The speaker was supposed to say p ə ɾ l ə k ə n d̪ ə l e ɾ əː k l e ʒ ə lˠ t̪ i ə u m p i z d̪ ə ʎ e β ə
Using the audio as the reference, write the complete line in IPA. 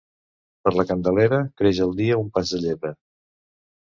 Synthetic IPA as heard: p ə ɾ l ə k ə n d̪ ə l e ɾ ə k ɾ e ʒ ə lˠ d̪ i ə u m p a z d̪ ə ʎ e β ə